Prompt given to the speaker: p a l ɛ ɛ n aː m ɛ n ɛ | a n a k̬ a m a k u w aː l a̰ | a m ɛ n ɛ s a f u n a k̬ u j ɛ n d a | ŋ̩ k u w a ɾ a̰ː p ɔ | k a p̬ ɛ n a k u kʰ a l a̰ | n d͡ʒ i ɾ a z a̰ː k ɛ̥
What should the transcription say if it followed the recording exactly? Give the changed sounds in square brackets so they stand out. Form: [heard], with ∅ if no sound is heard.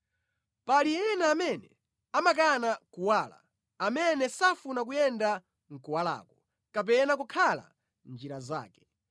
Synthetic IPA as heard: p a l [i] ɛ n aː m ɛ n ɛ | a [m] a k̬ a [n] a k u w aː l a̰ | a m ɛ n ɛ s a f u n a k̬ u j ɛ n d a | ŋ̩ k u w a [l] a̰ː [k] ɔ | k a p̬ ɛ n a k u kʰ a l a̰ | n d͡ʒ i ɾ a z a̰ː k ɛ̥

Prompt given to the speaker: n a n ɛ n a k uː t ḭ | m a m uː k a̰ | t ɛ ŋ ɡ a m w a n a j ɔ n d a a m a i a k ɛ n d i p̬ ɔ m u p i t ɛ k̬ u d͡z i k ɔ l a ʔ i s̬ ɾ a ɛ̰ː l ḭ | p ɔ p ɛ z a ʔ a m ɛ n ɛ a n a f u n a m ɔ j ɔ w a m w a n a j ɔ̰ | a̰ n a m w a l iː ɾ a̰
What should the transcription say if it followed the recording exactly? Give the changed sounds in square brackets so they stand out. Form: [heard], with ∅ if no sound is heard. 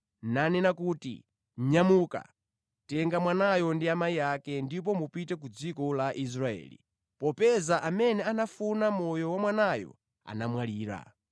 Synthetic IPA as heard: n a n ɛ n a k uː t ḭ | [ɲ] a m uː k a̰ | t ɛ ŋ ɡ a m w a n a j ɔ n d [i] a m a i a k ɛ n d i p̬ ɔ m u p i t ɛ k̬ u d͡z i k ɔ l a ʔ i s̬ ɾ a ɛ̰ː l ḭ | p ɔ p ɛ z a ʔ a m ɛ n ɛ a n a f u n a m ɔ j ɔ w a m w a n a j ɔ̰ | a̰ n a m w a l iː ɾ a̰

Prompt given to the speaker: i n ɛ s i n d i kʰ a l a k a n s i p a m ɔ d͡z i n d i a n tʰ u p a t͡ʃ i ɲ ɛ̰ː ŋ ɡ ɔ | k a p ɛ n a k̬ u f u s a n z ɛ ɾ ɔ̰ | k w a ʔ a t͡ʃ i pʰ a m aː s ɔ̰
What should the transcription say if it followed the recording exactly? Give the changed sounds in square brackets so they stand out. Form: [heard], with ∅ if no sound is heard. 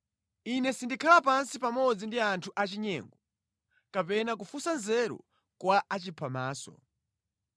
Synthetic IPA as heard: i n ɛ s i n d i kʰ a l a [p] a n s i p a m ɔ d͡z i n d i a n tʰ u [ʔ] a t͡ʃ i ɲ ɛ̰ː ŋ ɡ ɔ | k a p ɛ n a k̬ u f u s a n z ɛ ɾ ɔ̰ | k w a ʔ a t͡ʃ i pʰ a m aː s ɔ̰

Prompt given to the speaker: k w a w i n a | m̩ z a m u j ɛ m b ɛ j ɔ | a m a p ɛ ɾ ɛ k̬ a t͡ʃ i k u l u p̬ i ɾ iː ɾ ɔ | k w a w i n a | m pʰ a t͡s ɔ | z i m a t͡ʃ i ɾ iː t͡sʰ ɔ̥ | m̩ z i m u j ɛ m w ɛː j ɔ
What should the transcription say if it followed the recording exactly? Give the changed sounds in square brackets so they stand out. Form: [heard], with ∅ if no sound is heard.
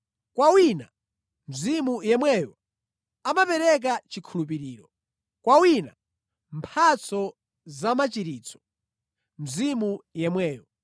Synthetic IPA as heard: k w a w i n a | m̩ z [i] m u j ɛ m [w] ɛ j ɔ | a m a p ɛ ɾ ɛ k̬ a t͡ʃ i [kʰ] u l u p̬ i ɾ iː ɾ ɔ | k w a w i n a | m pʰ a t͡s ɔ | z [a] m a t͡ʃ i ɾ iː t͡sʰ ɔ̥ | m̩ z i m u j ɛ m w ɛː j ɔ

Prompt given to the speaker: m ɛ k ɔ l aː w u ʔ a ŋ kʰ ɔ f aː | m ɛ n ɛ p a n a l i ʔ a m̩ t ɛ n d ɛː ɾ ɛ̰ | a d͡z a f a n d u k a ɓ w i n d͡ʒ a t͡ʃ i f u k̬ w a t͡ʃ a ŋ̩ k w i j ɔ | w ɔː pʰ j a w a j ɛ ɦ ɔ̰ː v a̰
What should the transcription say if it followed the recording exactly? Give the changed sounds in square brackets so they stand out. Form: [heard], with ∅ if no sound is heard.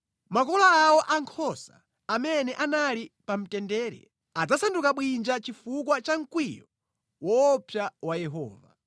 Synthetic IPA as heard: m [a] k ɔ l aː w [ɔ] ʔ a ŋ kʰ ɔ [s] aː | m ɛ n ɛ [ʔ] a n a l i [p] a m̩ t ɛ n d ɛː ɾ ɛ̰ | a d͡z a [s] a n d u k a ɓ w i n d͡ʒ a t͡ʃ i f u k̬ w a t͡ʃ a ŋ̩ k w i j ɔ | w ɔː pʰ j a w a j ɛ ɦ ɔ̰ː v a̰

